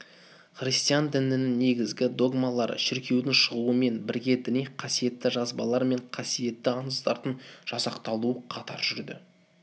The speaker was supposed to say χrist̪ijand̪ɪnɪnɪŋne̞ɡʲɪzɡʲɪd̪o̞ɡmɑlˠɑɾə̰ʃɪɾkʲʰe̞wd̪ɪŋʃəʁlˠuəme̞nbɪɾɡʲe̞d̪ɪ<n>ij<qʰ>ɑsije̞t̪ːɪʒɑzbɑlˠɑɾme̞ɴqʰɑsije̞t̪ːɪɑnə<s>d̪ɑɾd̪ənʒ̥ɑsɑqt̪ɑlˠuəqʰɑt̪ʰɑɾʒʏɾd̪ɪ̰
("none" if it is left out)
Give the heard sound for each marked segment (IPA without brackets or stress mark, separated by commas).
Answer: n, qʰ, s